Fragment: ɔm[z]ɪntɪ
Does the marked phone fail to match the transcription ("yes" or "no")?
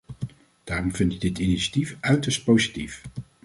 yes